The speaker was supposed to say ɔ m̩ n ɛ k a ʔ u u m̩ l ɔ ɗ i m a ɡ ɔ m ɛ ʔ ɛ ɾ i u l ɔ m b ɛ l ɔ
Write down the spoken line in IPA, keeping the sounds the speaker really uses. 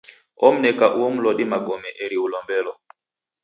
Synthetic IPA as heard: ɔ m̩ n ɛ k a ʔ u ɔ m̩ l ɔ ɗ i m a ɡ ɔ m ɛ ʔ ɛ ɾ i u l ɔ m b ɛ l ɔ